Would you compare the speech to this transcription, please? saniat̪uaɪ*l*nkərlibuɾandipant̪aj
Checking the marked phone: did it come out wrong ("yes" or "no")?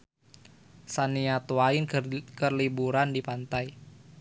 yes